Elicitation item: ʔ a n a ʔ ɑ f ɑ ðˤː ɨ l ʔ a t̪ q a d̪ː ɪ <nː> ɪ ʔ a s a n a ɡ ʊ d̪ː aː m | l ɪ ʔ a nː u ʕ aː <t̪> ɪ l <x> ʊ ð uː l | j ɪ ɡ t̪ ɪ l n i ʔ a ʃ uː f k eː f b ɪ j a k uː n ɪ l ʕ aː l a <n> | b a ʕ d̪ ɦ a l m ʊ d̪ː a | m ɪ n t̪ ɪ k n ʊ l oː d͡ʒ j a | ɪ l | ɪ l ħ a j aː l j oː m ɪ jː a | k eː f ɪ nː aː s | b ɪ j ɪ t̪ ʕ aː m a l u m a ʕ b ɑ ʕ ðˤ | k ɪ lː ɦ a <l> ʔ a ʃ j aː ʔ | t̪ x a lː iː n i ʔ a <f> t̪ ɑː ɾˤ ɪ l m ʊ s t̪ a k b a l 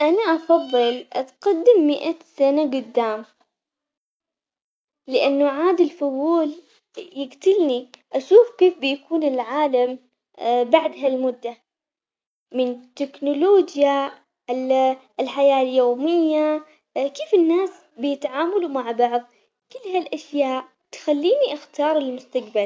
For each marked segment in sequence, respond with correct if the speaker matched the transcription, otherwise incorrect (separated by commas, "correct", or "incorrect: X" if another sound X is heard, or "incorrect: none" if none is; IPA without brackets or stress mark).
incorrect: mː, incorrect: d̪, incorrect: f, incorrect: m, correct, incorrect: x